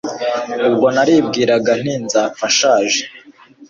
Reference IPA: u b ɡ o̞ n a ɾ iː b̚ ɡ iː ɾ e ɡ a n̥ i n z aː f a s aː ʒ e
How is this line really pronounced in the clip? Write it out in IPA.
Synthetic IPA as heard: u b ɡ o̞ n a ɾ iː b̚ ɡ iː ɾ a ɡ a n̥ i n z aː f a ʃ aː ʒ e